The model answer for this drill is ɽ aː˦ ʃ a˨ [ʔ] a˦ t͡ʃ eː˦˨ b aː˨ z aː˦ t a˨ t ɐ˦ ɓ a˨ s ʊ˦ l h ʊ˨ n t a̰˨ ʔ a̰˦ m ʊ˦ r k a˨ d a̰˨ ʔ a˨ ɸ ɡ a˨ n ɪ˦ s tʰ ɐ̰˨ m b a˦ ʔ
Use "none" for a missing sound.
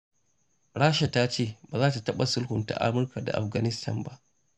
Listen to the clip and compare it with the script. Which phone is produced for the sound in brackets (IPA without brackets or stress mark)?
t